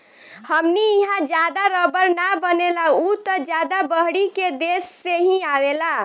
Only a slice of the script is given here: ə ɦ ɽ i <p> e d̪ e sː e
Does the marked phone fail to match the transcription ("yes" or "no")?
yes